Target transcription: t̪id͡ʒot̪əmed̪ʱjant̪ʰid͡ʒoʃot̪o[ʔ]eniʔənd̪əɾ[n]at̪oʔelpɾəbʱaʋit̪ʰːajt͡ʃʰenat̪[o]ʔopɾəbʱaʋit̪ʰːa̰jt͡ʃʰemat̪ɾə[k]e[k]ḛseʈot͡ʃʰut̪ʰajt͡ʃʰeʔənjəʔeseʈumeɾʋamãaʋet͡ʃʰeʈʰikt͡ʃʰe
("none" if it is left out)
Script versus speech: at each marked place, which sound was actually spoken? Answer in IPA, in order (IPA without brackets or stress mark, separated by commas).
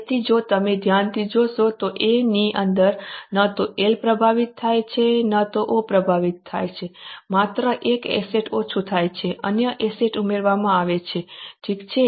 ʔ, n, o, ʔ, k